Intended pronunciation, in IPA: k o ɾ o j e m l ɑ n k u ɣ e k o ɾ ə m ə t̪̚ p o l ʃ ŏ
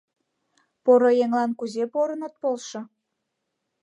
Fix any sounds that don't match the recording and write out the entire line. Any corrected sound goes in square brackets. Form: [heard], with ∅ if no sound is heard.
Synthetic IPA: [p] o ɾ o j e [ŋ] l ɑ n k u [z] e [p] o ɾ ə [n] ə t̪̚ p o l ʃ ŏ